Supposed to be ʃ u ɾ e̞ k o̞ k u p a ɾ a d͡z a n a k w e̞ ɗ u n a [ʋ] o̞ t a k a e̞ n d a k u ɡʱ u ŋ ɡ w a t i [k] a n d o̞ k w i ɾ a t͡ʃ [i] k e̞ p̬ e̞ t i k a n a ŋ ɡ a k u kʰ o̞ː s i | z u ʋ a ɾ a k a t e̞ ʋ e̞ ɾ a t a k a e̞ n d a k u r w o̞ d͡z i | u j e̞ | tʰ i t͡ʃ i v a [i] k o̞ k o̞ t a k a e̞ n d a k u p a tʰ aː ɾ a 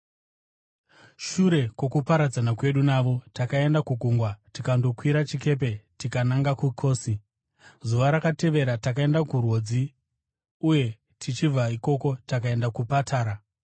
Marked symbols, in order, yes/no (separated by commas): yes, yes, yes, yes